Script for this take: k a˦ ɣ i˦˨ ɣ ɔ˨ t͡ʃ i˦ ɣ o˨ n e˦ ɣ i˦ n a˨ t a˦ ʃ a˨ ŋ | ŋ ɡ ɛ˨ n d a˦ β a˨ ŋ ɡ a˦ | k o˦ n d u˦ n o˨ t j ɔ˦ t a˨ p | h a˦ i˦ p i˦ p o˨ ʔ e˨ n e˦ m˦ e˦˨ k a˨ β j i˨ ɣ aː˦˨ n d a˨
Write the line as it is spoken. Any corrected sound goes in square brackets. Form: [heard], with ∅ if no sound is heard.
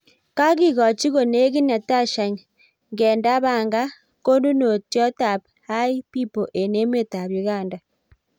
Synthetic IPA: k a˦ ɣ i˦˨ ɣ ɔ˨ t͡ʃ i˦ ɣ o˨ n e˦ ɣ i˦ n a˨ t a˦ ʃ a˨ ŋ | ŋ ɡ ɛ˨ n d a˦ β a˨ ŋ ɡ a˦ | k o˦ n d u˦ n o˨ t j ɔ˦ t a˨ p | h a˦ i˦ p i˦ p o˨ ʔ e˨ n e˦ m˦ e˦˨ [t] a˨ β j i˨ ɣ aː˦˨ n d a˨

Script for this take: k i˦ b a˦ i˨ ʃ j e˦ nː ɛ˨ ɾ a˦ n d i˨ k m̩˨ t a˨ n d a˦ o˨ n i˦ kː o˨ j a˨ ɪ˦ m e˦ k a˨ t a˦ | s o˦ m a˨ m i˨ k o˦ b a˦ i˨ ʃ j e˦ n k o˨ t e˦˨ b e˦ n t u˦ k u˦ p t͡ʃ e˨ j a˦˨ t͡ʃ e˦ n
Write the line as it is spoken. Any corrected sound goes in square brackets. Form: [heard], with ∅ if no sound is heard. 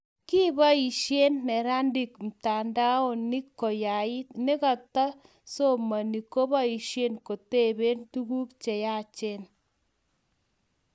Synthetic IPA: k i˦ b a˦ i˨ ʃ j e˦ nː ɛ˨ ɾ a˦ n d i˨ k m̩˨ t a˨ n d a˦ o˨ n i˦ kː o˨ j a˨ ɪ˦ [n] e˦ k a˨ t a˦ | s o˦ m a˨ [n] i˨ k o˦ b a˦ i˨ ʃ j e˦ n k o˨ t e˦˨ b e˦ n t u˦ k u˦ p t͡ʃ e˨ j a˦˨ t͡ʃ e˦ n

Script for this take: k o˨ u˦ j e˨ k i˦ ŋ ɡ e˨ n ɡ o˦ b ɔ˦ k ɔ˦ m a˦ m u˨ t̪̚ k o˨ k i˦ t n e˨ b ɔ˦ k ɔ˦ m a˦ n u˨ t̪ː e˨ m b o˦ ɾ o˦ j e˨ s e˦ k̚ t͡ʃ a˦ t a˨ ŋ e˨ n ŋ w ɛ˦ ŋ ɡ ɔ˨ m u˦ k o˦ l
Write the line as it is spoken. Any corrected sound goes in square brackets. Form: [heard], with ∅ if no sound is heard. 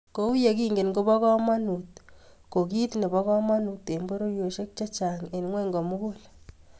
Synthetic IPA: k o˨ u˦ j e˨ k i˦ ŋ ɡ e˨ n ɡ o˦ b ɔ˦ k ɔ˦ m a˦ [n] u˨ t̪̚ k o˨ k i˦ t n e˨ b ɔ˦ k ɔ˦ m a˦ n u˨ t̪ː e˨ m b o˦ ɾ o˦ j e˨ [ʃ] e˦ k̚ t͡ʃ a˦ [t͡ʃ] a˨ ŋ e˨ n ŋ w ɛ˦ ŋ ɡ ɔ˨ m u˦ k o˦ l

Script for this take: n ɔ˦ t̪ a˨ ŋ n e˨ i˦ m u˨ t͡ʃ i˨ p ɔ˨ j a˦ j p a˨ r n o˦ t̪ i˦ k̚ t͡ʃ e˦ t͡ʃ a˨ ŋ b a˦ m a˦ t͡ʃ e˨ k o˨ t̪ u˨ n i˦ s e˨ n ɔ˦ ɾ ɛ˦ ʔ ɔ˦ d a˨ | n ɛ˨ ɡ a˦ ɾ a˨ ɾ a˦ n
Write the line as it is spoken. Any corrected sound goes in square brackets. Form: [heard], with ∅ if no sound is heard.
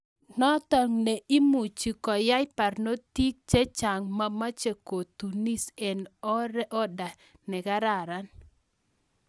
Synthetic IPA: n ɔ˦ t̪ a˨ ŋ n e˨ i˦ m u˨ t͡ʃ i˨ [k] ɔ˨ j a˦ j p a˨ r n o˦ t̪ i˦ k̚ t͡ʃ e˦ t͡ʃ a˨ ŋ [m] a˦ m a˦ t͡ʃ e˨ k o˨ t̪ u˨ n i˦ s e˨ n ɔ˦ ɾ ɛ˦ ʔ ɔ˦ d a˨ | n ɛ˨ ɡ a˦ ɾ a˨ ɾ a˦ n

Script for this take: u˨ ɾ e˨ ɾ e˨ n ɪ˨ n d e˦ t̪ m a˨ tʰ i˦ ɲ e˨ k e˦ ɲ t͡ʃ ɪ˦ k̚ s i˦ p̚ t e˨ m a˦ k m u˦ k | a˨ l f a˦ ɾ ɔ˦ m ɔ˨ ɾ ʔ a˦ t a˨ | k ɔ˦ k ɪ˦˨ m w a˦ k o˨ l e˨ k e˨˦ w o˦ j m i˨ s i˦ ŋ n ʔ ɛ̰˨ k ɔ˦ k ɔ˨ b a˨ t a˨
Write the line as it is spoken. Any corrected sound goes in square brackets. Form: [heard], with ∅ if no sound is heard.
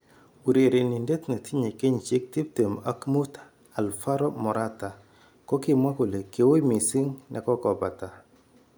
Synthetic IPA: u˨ ɾ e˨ ɾ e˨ n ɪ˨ n d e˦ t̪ [n] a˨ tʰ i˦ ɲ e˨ k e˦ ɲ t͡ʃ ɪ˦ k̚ [t] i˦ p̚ t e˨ m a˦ k m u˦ [t] | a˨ l f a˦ ɾ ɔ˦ m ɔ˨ ɾ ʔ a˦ t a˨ | k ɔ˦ k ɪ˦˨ m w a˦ k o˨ l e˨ k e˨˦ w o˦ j m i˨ s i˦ ŋ n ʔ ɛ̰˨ k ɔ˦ k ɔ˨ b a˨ t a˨

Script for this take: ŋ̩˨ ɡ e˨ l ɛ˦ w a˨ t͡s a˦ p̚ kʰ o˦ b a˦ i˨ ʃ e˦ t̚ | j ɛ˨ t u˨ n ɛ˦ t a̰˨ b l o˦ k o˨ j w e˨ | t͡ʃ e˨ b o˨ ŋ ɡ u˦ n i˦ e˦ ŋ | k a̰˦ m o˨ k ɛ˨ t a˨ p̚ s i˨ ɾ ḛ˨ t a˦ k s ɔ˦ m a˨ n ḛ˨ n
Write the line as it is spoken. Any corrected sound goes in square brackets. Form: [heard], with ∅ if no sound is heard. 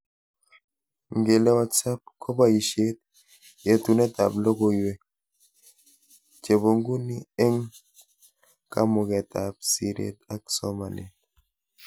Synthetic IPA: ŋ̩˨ ɡ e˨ l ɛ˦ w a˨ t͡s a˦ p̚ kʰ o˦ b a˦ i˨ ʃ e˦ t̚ | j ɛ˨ t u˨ n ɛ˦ t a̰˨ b l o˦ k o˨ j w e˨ | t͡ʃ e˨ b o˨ ŋ ɡ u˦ n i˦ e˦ ŋ | k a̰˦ m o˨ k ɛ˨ t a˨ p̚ s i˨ ɾ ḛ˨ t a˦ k s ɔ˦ m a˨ n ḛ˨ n

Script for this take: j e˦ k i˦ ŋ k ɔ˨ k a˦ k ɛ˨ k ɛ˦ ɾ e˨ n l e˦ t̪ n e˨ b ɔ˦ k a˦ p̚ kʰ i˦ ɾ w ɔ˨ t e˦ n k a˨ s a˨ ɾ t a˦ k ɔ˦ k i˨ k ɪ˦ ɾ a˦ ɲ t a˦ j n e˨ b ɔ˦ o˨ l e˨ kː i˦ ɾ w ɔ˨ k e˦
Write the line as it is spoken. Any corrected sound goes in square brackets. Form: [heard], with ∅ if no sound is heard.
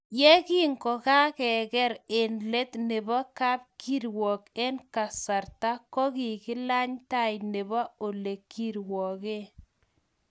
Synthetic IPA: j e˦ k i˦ ŋ k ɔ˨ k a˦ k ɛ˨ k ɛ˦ ɾ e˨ n l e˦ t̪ n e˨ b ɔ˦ k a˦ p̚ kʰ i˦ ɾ w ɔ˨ [k] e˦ n k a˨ s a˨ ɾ t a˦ k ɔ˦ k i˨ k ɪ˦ [l] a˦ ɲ t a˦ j n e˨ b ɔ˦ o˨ l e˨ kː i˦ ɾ w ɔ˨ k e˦

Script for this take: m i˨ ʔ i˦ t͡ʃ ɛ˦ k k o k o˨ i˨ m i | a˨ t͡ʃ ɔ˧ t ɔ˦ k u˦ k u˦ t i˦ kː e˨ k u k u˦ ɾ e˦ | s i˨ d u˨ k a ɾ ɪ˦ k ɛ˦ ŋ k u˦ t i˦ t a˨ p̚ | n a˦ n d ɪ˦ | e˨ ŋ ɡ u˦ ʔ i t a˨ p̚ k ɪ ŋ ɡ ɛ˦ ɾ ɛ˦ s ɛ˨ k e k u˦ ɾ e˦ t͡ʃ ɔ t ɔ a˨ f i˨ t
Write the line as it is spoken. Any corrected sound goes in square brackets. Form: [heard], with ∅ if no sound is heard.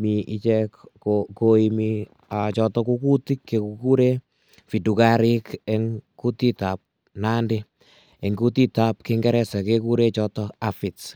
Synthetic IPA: m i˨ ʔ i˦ t͡ʃ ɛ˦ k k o k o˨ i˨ m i | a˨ t͡ʃ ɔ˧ t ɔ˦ k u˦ k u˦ t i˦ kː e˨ k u k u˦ ɾ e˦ | [f] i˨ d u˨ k a ɾ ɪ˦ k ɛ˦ ŋ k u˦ t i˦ t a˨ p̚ | n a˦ n d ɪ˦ | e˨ ŋ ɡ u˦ [t] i t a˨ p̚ k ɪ ŋ ɡ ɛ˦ ɾ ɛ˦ s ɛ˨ k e k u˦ ɾ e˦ t͡ʃ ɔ t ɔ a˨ f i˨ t

